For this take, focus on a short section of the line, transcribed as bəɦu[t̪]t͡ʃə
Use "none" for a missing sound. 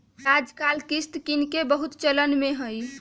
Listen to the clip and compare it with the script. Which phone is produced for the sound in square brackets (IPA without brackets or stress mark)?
t̪